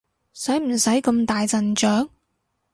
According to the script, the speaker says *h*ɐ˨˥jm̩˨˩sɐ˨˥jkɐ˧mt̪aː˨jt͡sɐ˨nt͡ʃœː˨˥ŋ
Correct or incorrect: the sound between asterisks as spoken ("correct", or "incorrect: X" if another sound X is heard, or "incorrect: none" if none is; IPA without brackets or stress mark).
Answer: incorrect: s